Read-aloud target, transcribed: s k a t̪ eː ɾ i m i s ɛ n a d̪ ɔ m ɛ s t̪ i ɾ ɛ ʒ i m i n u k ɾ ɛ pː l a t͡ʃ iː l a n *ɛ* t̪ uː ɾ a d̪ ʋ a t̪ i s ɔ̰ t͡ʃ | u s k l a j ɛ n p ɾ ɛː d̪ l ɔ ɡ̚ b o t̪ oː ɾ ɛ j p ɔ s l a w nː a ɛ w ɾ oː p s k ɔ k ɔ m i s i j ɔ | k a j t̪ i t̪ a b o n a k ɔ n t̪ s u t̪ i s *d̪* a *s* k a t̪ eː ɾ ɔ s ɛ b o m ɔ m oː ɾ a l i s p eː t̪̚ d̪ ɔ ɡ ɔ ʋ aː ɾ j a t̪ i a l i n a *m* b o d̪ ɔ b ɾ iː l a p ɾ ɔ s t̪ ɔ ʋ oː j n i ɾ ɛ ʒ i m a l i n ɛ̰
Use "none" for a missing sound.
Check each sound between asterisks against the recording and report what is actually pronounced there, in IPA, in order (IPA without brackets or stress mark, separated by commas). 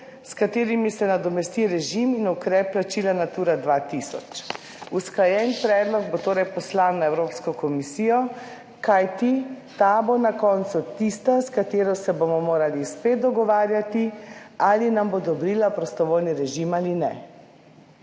a, t̪, s, m